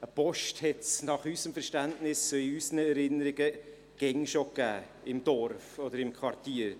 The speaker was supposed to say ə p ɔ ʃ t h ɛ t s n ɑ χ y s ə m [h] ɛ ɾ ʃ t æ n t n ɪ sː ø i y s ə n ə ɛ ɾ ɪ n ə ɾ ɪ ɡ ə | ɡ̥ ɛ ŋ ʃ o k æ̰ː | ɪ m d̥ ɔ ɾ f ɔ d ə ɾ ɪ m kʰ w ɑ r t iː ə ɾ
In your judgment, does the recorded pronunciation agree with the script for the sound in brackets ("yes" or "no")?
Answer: no